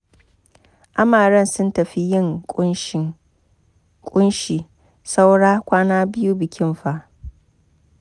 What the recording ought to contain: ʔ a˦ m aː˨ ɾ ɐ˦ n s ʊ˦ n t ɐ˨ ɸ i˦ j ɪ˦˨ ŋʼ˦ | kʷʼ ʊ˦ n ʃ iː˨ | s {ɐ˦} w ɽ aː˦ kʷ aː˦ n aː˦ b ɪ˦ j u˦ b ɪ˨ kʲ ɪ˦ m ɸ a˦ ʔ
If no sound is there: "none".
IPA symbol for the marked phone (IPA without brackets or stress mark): a˦